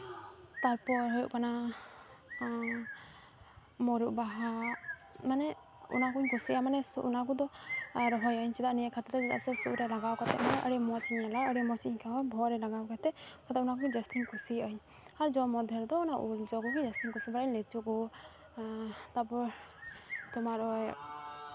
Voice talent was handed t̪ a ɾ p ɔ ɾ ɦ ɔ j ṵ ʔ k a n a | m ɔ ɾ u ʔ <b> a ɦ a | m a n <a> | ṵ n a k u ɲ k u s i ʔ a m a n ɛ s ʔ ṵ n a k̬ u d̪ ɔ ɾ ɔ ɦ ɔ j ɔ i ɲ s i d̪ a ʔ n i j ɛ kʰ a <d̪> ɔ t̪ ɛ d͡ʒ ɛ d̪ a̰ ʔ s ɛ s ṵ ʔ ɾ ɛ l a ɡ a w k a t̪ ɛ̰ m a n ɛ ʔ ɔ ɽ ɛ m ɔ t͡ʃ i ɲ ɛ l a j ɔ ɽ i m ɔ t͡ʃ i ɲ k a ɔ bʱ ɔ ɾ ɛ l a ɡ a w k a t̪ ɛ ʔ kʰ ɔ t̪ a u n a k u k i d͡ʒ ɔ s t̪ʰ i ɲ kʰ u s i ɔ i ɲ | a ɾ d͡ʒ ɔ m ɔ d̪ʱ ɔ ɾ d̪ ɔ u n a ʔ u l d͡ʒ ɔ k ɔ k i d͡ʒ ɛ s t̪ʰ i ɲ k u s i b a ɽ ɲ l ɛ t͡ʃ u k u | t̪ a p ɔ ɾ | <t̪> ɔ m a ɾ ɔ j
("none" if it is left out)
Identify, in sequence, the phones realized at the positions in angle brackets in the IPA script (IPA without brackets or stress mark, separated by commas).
b, ɛ, t̪, t̪